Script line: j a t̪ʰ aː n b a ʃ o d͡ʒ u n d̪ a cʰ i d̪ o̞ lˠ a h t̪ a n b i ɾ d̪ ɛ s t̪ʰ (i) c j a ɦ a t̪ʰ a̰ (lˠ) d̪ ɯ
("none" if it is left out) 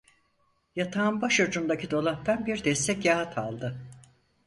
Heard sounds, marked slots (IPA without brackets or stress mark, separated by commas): ɛ, lˠ